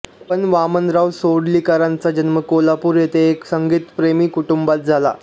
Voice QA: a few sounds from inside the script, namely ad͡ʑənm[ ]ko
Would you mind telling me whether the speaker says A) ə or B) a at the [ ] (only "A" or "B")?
A